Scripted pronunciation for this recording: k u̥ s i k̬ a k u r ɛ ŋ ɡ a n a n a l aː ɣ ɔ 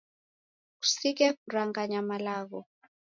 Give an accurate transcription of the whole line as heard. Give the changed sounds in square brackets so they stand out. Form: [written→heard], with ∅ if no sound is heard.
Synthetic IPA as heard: k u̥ s i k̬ [a→ɛ] k u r [ɛ→a] ŋ ɡ a [n→ɲ] a [n→m] a l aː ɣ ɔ